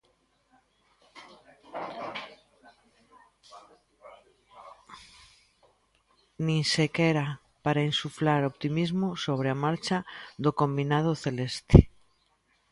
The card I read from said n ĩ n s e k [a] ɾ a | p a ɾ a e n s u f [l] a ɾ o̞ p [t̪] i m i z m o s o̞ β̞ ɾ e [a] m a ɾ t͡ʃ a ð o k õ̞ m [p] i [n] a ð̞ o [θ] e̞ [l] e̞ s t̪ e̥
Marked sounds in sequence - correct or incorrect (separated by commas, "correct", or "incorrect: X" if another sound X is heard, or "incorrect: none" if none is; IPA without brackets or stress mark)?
incorrect: e, correct, correct, correct, incorrect: b, correct, correct, correct